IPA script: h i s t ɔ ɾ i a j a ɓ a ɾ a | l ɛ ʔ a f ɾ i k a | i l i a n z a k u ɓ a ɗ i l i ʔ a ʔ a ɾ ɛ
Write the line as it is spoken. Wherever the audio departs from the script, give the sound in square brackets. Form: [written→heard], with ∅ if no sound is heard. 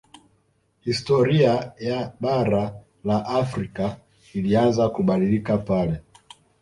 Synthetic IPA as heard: h i s t ɔ ɾ i a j a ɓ a ɾ a | l [ɛ→a] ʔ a f ɾ i k a | i l i a n z a k u ɓ a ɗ i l i [ʔ→k] a [ʔ→p] a [ɾ→l] ɛ